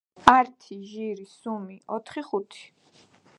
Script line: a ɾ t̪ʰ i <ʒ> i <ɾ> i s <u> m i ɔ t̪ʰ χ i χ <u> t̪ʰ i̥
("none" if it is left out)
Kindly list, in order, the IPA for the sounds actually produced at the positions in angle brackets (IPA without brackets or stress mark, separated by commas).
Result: ʒ, ɾ, u, u